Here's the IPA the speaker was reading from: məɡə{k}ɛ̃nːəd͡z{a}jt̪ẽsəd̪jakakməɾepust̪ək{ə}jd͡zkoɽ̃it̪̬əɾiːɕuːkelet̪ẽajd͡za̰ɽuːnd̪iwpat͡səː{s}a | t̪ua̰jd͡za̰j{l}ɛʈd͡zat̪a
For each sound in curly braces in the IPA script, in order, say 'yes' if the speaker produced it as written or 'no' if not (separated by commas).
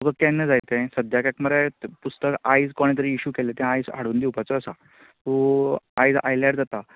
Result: yes, yes, no, yes, yes